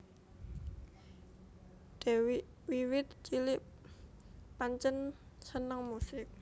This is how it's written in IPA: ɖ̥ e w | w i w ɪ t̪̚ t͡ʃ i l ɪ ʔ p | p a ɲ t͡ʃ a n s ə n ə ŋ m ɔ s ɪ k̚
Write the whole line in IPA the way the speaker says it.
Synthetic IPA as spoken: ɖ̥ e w | w i w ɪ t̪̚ t͡ʃ i l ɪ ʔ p | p a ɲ t͡ʃ ə n s ə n ə ŋ m u s ɪ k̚